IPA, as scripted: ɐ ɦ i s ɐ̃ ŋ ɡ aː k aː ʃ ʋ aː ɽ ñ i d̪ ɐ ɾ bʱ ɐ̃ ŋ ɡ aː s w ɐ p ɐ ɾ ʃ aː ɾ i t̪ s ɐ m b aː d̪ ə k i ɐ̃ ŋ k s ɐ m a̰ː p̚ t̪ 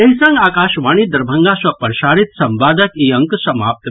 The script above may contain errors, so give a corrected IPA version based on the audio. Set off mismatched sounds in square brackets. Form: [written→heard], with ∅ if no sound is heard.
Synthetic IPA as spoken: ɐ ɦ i s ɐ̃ ŋ ɡ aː k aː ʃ ʋ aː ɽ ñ i d̪ ɐ ɾ bʱ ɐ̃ ŋ ɡ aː s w ɐ p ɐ ɾ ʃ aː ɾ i t̪ s ɐ m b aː d̪ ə k i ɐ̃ ŋ k s ɐ m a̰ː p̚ t̪